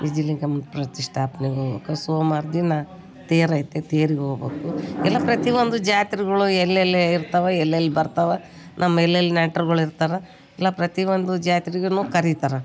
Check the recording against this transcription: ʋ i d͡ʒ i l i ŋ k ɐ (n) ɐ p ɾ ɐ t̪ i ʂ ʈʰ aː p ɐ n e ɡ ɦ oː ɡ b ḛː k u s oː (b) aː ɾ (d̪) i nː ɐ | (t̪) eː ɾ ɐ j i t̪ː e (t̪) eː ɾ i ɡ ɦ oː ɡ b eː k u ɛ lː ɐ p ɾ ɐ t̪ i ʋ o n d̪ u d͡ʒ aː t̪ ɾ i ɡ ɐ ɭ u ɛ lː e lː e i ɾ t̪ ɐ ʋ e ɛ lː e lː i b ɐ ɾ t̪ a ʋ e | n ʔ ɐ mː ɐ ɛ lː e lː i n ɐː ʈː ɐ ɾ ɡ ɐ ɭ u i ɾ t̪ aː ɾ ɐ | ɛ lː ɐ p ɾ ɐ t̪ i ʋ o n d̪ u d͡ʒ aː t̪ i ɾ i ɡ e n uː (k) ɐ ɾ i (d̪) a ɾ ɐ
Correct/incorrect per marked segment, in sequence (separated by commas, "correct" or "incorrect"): incorrect, incorrect, correct, correct, correct, correct, incorrect